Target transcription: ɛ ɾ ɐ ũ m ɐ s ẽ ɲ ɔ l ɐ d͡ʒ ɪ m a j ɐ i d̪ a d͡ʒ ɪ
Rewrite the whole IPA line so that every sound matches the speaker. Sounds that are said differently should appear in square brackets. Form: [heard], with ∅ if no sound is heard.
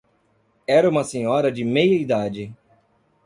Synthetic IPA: ɛ ɾ ɐ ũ m ɐ s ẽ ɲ ɔ [ɾ] ɐ d͡ʒ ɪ m [e] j ɐ i d̪ a d͡ʒ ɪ